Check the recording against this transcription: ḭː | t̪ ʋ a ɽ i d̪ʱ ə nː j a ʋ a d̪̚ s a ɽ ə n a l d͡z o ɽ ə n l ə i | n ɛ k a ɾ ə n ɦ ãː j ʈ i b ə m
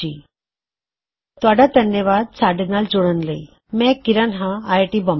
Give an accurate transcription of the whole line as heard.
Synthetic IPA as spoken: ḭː | t̪ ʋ a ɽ a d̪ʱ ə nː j ə ʋ a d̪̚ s a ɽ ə n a l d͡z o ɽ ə n l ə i | m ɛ k i ɾ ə n ɦ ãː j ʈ i b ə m